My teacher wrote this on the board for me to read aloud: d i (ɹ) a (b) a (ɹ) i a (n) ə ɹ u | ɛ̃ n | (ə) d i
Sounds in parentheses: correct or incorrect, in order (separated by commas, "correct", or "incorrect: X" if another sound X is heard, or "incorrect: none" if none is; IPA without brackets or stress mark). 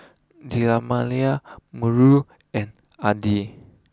incorrect: l, incorrect: m, incorrect: l, incorrect: m, incorrect: a